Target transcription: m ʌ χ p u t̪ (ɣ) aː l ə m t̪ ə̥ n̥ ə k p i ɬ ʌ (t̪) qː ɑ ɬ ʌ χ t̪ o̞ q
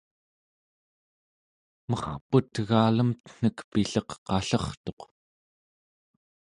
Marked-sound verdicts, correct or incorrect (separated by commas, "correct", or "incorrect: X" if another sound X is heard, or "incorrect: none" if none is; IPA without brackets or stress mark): correct, incorrect: none